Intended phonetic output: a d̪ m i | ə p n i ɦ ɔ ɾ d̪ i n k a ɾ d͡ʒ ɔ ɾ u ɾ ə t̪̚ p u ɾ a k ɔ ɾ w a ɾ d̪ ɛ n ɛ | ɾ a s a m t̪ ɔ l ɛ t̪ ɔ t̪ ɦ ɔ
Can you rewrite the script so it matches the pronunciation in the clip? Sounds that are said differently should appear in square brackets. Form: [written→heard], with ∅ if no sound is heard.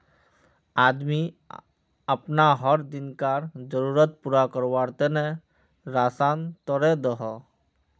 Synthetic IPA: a d̪ m i | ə p n [i→a] ɦ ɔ ɾ d̪ i n k a ɾ d͡ʒ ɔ ɾ u ɾ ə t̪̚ p u ɾ a k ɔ ɾ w a ɾ [d̪→t̪] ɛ n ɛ | ɾ a s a [m→n] t̪ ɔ [l→ɾ] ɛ [t̪→d̪] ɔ [t̪→∅] ɦ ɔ